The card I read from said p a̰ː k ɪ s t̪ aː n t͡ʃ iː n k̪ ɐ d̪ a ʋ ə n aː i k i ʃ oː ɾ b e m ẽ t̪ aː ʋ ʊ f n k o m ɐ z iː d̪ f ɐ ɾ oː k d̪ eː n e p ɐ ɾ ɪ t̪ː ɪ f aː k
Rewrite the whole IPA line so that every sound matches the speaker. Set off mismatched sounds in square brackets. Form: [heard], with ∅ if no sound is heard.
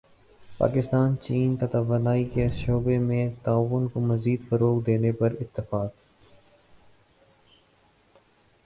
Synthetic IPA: p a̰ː k ɪ s t̪ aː n t͡ʃ iː n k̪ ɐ [t̪] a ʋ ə n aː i k [e] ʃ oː [∅] b e m ẽ t̪ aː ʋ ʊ [∅] n k o m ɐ z iː d̪ f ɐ ɾ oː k d̪ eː n e p ɐ ɾ ɪ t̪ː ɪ f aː k